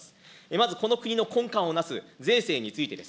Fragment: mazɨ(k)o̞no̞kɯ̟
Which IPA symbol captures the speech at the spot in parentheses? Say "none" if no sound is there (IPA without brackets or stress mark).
k